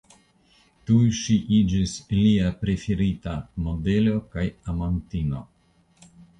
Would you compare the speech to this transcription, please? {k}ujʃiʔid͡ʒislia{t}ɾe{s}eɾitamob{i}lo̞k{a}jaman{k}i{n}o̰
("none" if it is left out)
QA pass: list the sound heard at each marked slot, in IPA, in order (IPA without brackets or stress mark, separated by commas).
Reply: t, p, f, e, a, t, n